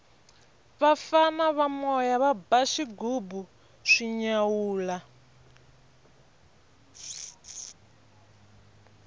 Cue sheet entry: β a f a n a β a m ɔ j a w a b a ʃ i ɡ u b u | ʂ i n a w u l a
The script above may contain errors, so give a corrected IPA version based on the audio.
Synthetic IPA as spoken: β a f a n a β a m ɔ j a β a b a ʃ i ɡ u b u | ʂ i ɲ a w uː l a

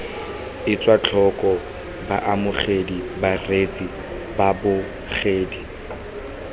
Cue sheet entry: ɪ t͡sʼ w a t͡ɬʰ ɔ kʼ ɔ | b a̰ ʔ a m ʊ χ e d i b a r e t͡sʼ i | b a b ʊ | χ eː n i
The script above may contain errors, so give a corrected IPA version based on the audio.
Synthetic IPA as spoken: ɪ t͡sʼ w a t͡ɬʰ ɔ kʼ ɔ | b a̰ ʔ a m ʊ χ e d i b a r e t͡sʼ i | b a b ʊ | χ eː d i

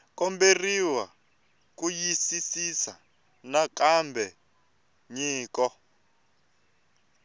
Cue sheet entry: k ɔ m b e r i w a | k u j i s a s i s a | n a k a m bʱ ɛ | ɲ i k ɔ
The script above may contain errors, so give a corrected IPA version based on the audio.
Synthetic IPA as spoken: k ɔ m b e r i w a | k u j i s i s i s a | n a k a m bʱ ɛ | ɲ iː k ɔ

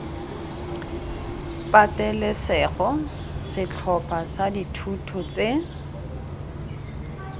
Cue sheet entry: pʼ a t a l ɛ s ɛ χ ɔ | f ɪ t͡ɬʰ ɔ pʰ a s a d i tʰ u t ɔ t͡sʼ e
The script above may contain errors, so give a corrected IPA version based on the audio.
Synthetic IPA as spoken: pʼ a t ɛ l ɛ s ɛ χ ɔ | s ɪ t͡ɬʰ ɔ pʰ a s a d i tʰ u tʰ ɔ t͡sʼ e

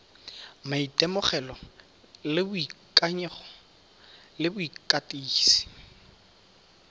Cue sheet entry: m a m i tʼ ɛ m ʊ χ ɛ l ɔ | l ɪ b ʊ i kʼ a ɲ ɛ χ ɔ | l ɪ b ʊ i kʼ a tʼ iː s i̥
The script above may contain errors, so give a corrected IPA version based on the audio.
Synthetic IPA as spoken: m a i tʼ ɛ m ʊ χ ɛ l ɔ | l ɪ b ʊ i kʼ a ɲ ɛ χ ɔ | l ɪ b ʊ i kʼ a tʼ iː s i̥

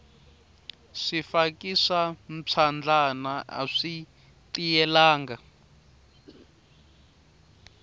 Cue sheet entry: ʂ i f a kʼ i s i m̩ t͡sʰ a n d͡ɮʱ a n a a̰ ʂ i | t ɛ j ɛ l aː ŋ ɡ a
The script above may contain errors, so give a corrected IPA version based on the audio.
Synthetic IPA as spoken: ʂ i f a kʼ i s a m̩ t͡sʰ a n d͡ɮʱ a n a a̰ ʂ i | t i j ɛ l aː ŋ ɡ a

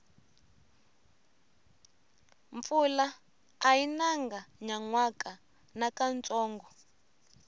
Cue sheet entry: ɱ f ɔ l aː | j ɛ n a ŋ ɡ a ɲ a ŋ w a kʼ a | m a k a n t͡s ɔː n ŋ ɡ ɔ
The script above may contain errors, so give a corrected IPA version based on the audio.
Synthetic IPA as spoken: ɱ f u l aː | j i n a ŋ ɡ a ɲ a ŋ w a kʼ a | n a k a n t͡s ɔː ŋ ɡ ɔ

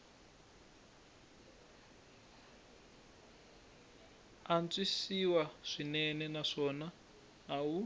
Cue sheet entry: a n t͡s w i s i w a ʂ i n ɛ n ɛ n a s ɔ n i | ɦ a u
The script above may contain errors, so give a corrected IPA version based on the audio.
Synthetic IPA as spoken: a n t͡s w i s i w a ʂ i n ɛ n ɛ n a ʂ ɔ n a | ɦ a u

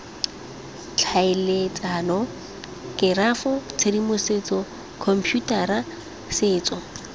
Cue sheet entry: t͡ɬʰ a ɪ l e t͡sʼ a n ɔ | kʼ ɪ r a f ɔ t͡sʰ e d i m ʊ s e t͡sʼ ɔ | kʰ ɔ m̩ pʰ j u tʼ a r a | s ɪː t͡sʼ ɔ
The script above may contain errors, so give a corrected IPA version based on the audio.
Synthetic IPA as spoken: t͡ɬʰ a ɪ l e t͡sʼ a n ɔ | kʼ ɪ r a f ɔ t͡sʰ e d i m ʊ s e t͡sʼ ɔ | kʰ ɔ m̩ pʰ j u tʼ a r a | s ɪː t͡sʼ ɔ

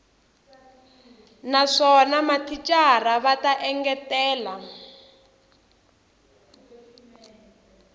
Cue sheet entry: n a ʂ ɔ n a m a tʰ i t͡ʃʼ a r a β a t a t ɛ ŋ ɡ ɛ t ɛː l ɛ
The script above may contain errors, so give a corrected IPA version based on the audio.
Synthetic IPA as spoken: n a ʂ ɔ n a m a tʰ i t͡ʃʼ a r a β a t a ʔ ɛ ŋ ɡ ɛ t ɛː l a

